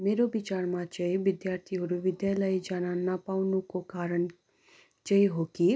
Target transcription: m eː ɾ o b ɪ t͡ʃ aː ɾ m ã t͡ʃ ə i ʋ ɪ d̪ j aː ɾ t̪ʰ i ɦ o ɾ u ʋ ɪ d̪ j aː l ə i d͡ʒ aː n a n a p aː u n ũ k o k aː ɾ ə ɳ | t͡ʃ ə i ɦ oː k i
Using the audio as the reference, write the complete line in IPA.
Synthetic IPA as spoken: m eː ɾ o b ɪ t͡ʃ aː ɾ m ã t͡ʃ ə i ʋ ɪ d̪ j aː ɾ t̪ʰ i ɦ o ɾ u ʋ ɪ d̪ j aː l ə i d͡ʒ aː n a n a p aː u n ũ k o k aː ɾ ə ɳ | t͡ʃ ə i ɦ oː k i